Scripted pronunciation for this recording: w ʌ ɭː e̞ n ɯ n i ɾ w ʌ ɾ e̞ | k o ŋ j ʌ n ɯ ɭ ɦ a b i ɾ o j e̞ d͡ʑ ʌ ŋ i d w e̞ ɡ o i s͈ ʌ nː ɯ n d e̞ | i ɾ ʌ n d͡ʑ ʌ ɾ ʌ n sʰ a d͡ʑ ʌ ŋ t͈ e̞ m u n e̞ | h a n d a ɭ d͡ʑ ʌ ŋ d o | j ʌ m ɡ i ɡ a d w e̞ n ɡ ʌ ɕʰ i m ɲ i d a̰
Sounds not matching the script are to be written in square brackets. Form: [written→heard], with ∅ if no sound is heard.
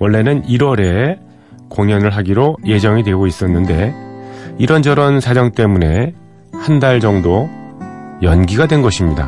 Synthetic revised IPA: w ʌ ɭː e̞ n ɯ n i ɾ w ʌ ɾ e̞ | k o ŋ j ʌ n ɯ ɭ ɦ a [b→ɡ] i ɾ o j e̞ d͡ʑ ʌ ŋ i d w e̞ ɡ o i s͈ ʌ nː ɯ n d e̞ | i ɾ ʌ n d͡ʑ ʌ ɾ ʌ n sʰ a d͡ʑ ʌ ŋ t͈ e̞ m u n e̞ | h a n d a ɭ d͡ʑ ʌ ŋ d o | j ʌ [m→n] ɡ i ɡ a d w e̞ n ɡ ʌ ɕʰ i m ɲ i d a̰